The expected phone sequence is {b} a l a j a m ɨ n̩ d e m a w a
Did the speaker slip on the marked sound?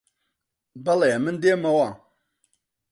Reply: no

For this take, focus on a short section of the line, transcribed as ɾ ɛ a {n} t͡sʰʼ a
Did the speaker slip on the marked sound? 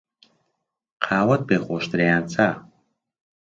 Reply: no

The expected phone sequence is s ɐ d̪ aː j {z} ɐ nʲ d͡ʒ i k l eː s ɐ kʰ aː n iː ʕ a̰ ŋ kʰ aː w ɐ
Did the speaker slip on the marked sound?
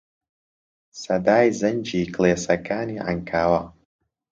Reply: no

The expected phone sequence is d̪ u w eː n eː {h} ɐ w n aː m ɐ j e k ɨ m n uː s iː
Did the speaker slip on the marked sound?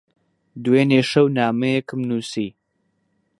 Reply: yes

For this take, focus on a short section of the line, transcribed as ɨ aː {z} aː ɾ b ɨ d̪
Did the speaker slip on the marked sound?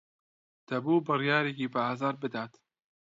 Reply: no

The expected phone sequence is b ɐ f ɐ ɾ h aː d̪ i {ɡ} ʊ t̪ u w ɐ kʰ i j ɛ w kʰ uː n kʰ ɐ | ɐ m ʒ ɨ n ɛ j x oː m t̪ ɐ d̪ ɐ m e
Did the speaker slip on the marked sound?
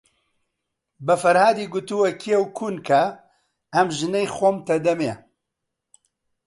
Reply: no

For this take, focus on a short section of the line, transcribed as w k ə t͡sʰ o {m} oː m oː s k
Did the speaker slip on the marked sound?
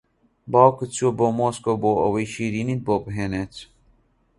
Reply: yes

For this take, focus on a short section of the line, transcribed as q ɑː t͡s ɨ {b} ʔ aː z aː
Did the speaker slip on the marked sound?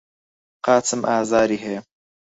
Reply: yes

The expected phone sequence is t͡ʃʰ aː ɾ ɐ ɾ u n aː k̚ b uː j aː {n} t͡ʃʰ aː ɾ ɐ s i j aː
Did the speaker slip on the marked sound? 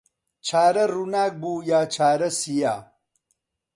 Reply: yes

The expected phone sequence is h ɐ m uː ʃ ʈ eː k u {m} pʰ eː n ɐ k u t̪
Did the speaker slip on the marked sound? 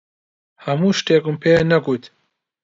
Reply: no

